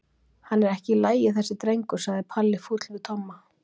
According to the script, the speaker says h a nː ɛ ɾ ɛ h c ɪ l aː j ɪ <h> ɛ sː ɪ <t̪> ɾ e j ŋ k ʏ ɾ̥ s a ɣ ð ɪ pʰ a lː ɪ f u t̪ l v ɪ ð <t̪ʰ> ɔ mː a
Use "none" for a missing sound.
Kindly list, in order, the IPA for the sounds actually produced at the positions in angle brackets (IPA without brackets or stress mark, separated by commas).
θ, t̪, t̪ʰ